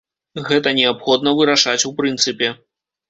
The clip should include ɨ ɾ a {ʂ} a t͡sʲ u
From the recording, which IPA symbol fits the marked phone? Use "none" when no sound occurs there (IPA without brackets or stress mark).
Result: ʂ